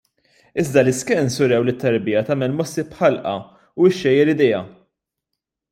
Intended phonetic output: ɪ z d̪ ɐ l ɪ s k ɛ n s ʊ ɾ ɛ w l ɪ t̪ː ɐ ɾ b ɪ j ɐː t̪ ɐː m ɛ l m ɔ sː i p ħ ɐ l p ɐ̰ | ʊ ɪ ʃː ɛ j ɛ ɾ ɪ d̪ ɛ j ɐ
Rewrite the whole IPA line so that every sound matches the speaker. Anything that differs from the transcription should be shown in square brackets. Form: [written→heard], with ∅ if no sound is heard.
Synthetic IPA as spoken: ɪ z d̪ ɐ l ɪ s k ɛ n s ʊ ɾ ɛ w l ɪ t̪ː ɐ ɾ b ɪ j [ɐː→ɐ] t̪ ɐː m ɛ l m ɔ sː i p ħ ɐ l [p→ʔ] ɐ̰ | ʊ ɪ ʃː ɛ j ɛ ɾ ɪ d̪ ɛ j ɐ

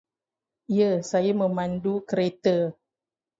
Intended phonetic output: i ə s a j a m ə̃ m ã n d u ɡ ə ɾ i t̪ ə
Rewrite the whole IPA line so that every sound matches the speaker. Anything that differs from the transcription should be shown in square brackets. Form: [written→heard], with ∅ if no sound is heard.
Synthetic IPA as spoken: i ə s a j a m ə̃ m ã n d u [ɡ→k] ə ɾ [i→e] t̪ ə

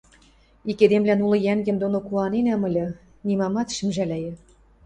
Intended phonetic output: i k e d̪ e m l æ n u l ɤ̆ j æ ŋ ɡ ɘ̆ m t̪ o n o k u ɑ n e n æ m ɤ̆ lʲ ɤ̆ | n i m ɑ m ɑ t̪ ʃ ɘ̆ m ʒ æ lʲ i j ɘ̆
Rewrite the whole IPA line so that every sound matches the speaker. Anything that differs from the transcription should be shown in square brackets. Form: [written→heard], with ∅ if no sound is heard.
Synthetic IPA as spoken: i k e d̪ e m l æ n u l ɤ̆ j æ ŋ ɡ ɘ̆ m [t̪→d̪] o n o k u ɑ n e n æ m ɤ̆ lʲ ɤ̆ | n i m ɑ m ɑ t̪ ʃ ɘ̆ m ʒ æ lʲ [i→æ] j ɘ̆

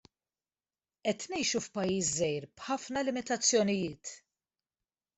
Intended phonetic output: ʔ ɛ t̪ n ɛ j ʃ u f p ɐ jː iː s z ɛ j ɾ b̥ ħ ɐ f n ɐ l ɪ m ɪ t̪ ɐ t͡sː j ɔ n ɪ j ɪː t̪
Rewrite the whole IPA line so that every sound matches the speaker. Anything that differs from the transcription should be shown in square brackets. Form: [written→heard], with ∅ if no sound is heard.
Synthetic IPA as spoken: ʔ ɛ t̪ n ɛ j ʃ u f p ɐ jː iː s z ɛ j ɾ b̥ ħ ɐ f n ɐ l ɪ m ɪ t̪ ɐ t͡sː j ɔ n ɪ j ɪː t̪

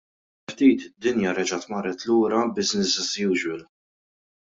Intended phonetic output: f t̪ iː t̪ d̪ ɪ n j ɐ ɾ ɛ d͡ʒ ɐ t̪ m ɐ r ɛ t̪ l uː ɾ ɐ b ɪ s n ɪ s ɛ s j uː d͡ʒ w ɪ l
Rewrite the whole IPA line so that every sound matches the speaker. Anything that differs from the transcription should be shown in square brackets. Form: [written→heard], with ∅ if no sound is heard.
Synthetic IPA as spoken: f t̪ iː t̪ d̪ ɪ n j ɐ ɾ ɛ d͡ʒ ɐ t̪ m ɐ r ɛ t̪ l uː ɾ ɐ b ɪ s n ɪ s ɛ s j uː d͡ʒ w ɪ l

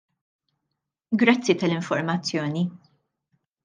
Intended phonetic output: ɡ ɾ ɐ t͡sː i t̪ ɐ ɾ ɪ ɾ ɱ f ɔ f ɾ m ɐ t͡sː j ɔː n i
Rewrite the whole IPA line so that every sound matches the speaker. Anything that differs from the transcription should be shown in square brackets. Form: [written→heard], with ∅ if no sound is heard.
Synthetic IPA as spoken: ɡ ɾ ɐ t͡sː i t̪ ɐ [ɾ→l] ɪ [ɾ→∅] ɱ f ɔ [f→∅] ɾ m ɐ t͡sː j ɔː n i

